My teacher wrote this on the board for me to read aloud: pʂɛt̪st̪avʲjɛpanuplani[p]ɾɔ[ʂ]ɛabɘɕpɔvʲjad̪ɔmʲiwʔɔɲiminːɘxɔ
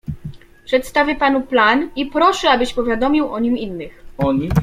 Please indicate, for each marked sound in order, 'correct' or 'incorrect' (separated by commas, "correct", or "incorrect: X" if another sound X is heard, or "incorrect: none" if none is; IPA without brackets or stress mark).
correct, correct